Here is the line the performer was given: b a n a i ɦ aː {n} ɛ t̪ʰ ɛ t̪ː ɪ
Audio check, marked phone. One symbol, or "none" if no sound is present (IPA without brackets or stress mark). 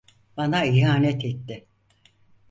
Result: n